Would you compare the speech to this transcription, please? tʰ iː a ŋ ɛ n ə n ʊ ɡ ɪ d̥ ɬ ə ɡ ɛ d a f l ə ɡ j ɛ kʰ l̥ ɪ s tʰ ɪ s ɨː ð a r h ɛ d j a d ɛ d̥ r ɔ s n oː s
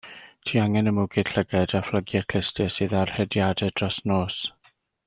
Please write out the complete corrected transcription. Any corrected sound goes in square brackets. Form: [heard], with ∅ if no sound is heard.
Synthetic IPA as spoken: tʰ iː a ŋ ɛ n ə [m] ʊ ɡ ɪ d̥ ɬ ə ɡ ɛ d a f l ə ɡ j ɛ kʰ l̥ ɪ s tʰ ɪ s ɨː ð a r h ɛ d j a d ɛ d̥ r ɔ s n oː s

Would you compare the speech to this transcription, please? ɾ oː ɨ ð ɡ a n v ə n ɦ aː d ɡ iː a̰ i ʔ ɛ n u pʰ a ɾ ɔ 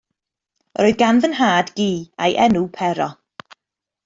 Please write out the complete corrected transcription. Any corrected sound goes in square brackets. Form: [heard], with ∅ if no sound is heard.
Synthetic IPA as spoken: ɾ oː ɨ ð ɡ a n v ə n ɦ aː d ɡ iː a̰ [j] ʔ ɛ n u pʰ [ɛ] ɾ ɔ

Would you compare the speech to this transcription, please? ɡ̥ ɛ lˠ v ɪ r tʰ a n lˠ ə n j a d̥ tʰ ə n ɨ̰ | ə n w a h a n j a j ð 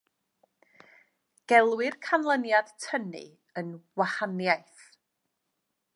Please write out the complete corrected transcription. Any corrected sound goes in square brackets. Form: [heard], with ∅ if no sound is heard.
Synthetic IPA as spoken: ɡ̥ ɛ lˠ [w] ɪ r [kʰ] a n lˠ ə n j a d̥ tʰ ə n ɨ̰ | ə n w a h a n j a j [θ]

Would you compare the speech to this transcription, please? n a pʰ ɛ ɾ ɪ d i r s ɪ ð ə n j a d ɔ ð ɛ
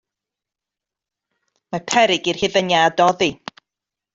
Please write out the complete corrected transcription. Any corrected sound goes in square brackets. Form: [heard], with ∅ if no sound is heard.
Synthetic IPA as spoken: [m] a pʰ ɛ ɾ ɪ [ɡ] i r [h] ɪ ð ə n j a d ɔ ð [i]

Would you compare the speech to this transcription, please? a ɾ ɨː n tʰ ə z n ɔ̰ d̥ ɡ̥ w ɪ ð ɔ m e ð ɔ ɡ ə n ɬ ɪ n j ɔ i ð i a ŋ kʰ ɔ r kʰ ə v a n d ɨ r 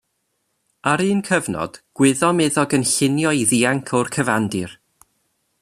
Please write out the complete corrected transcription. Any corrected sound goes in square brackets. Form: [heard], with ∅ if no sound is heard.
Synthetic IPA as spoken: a ɾ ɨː n [kʰ] ə [v] n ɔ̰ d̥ ɡ̥ w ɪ ð ɔ m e ð ɔ ɡ ə n ɬ ɪ n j ɔ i ð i a ŋ kʰ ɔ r kʰ ə v a n d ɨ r

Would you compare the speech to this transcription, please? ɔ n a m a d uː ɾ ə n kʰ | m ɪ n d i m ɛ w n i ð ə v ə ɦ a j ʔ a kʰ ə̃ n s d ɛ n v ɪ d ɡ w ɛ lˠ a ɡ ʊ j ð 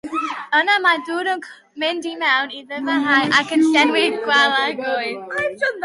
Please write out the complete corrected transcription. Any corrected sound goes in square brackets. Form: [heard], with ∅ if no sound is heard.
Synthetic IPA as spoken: ɔ n a m a d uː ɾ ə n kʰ | m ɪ n d i m ɛ w n i ð ə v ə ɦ a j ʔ a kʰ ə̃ n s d ɛ n [w] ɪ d ɡ w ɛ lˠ a ɡ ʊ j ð

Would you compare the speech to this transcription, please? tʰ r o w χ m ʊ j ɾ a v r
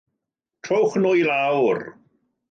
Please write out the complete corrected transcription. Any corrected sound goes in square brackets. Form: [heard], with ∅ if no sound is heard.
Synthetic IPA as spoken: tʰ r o w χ [n] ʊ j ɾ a [w] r

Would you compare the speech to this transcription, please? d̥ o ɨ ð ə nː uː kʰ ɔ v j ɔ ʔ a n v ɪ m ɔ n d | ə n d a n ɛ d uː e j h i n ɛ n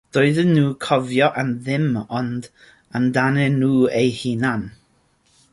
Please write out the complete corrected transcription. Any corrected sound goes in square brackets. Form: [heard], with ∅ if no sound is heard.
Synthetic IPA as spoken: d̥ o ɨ ð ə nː uː kʰ ɔ v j ɔ ʔ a n [ð] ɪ m ɔ n d | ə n d a n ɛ [n] uː e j h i n [a] n

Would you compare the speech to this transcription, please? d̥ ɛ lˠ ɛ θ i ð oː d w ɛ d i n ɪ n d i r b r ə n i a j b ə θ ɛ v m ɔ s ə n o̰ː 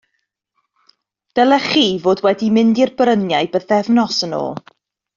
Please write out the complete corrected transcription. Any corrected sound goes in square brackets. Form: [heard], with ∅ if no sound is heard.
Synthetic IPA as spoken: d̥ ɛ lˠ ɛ [χ] i [v] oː d w ɛ d i [m] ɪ n d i r b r ə n [j] a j b ə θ ɛ v [n] ɔ s ə n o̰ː

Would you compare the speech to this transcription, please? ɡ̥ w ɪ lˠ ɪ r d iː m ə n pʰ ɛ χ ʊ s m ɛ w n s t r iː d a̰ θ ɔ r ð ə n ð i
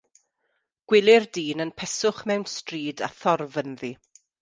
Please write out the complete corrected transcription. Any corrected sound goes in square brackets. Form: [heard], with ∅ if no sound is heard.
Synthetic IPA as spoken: ɡ̥ w ɪ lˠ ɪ r d iː [n] ə n pʰ ɛ [s] ʊ [χ] m ɛ w n s t r iː d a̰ θ ɔ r [v] ə n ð i

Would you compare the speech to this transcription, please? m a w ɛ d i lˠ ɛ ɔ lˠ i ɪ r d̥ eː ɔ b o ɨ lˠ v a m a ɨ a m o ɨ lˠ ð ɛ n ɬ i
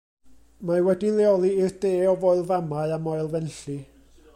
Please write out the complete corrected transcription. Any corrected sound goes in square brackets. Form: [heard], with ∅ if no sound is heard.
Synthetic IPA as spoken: m a w ɛ d i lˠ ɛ ɔ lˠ i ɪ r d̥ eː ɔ [v] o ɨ lˠ v a m a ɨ a m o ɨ lˠ [v] ɛ n ɬ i

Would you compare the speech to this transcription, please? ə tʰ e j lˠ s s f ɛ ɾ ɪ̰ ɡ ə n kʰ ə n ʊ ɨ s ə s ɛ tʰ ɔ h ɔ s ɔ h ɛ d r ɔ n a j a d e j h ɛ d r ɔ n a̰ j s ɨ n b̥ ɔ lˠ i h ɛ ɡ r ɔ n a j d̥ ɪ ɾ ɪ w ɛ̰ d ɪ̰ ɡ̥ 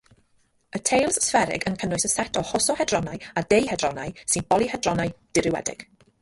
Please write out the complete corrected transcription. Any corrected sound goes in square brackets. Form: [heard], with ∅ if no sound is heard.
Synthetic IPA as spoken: ə tʰ e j lˠ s s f ɛ ɾ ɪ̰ ɡ ə n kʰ ə n ʊ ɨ s ə s ɛ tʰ ɔ h ɔ s ɔ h ɛ d r ɔ n a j a d e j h ɛ d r ɔ n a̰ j s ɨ n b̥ ɔ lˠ i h ɛ [d] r ɔ n a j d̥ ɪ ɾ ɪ w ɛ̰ d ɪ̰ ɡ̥

